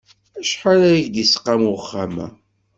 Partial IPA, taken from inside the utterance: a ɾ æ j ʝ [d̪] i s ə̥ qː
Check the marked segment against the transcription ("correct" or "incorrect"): correct